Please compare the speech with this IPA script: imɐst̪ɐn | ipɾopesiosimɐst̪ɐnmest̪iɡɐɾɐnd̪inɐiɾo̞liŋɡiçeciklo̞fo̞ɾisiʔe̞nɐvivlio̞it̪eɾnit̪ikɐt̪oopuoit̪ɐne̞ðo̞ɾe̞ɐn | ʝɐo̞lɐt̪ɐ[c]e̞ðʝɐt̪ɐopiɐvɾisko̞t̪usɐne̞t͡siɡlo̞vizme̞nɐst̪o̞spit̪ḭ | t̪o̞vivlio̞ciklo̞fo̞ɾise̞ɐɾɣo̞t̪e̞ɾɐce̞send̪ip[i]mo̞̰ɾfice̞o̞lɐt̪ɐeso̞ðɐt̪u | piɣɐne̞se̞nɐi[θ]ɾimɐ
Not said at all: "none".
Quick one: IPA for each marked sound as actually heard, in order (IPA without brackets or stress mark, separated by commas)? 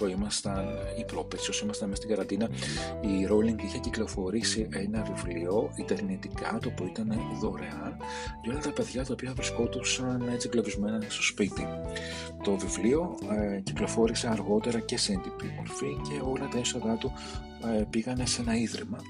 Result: p, i, ð